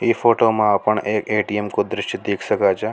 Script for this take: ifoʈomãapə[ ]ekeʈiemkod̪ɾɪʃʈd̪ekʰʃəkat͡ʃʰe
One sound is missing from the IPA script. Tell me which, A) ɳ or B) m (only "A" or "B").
A